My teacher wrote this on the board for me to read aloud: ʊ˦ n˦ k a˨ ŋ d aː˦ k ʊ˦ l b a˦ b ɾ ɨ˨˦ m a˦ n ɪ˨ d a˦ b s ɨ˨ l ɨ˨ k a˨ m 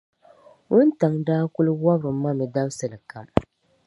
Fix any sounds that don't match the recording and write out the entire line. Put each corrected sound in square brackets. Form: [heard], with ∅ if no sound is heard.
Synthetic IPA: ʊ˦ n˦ [t] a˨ ŋ d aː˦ k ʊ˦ l [w] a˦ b ɾ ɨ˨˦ m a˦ [m] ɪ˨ d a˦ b s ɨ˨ l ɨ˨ k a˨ m